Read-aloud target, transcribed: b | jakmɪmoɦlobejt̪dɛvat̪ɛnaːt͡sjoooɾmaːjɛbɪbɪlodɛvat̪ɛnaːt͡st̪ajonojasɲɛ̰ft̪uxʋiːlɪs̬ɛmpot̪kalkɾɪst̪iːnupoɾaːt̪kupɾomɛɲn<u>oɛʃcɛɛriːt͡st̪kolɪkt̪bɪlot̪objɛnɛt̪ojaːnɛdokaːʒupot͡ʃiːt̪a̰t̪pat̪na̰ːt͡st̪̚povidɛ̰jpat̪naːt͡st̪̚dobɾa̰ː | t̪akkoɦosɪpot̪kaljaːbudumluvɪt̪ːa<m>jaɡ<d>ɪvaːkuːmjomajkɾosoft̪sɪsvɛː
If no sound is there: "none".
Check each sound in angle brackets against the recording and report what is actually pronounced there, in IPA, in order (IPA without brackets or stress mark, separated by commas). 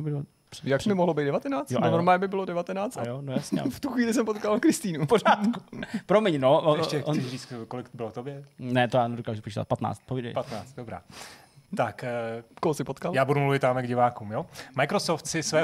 o, m, ɟ